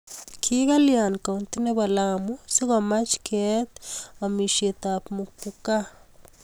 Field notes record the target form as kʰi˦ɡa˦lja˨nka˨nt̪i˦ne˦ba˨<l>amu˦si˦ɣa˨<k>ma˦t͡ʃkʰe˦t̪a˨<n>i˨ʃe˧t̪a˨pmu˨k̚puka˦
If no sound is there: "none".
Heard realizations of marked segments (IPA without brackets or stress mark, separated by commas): l, none, m